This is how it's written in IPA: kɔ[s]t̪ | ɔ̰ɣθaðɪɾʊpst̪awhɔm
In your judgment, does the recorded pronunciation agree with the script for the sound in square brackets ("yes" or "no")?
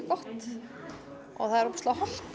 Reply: no